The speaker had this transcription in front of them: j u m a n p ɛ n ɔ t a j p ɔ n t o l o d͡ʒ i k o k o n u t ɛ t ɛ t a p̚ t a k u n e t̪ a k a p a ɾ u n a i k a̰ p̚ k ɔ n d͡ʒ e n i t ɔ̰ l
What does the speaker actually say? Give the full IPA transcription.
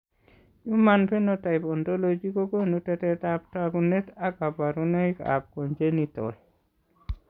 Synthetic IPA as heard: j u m a n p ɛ n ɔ t a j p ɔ n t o l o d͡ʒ i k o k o n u t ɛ t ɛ t a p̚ t a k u n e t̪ a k a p a ɾ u n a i k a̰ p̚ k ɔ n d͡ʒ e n i t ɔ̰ l